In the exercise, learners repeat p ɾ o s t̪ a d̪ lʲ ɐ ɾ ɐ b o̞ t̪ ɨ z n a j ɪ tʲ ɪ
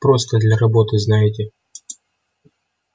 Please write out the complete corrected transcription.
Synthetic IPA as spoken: p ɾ o s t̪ ə d̪ lʲ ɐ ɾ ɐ b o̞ t̪ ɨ z n a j ɪ tʲ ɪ